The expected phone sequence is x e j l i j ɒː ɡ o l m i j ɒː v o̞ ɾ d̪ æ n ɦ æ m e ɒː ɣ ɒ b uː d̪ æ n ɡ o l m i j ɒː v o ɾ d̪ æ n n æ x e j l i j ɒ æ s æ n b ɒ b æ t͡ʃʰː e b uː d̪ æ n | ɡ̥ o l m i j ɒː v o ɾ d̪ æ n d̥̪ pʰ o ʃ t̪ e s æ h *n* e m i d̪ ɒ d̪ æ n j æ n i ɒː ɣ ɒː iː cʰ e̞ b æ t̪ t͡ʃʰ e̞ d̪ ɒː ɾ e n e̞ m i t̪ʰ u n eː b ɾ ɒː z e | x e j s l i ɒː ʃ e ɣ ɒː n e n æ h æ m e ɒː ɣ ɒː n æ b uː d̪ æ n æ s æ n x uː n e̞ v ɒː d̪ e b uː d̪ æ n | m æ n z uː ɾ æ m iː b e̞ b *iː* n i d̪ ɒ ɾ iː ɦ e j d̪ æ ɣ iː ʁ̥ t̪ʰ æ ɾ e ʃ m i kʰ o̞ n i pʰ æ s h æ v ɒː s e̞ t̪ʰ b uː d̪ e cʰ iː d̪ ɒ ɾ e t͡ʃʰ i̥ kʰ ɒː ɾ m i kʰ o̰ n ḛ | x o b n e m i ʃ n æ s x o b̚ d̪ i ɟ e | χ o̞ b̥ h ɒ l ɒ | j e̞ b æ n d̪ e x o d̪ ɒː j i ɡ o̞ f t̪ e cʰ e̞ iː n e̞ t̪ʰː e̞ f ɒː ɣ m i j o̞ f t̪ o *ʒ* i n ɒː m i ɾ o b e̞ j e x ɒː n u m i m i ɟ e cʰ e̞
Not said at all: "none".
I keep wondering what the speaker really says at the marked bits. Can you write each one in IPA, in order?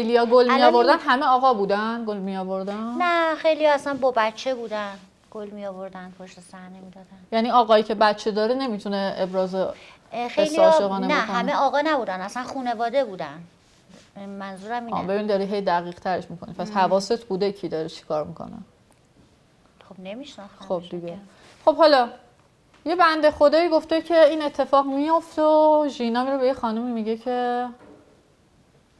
n, i, ʒ

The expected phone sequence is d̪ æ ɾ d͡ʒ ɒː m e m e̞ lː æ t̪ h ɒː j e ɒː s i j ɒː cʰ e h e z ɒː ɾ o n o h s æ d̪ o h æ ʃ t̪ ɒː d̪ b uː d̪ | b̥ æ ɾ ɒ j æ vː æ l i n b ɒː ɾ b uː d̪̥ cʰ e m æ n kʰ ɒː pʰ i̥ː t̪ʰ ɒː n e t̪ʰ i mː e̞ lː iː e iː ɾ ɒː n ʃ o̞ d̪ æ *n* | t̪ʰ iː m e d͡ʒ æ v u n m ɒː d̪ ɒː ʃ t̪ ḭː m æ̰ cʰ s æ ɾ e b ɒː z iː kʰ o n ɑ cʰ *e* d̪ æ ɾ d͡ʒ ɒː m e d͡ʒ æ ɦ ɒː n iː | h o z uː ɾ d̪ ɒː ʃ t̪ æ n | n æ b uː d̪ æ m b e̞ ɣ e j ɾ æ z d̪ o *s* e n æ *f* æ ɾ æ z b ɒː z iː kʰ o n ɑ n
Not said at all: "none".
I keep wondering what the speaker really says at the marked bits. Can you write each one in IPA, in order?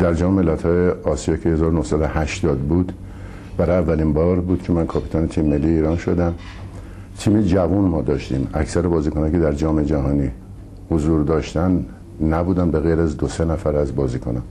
m, e, s, f

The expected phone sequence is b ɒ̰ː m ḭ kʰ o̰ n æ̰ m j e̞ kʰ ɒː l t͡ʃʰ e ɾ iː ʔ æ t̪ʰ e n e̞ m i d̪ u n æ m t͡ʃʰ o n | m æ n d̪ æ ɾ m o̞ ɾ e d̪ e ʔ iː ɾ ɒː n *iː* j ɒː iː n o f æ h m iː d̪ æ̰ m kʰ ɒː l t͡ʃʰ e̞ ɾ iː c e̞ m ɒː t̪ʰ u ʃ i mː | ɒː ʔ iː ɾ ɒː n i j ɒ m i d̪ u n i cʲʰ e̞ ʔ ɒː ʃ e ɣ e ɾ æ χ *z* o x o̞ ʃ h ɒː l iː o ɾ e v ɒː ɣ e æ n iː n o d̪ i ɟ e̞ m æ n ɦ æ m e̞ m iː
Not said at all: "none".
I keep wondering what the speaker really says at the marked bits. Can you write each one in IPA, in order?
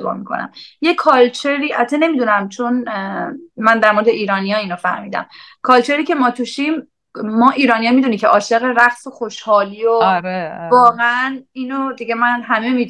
i, s

